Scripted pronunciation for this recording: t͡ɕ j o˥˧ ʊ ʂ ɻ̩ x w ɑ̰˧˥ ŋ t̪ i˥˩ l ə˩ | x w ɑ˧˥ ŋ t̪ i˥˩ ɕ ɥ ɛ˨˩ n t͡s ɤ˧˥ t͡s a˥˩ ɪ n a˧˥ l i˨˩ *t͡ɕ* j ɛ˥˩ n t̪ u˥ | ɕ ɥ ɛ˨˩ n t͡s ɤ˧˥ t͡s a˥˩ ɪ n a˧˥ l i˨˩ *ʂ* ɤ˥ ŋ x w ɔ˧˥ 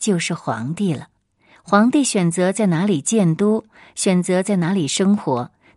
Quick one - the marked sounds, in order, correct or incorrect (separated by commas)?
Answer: correct, correct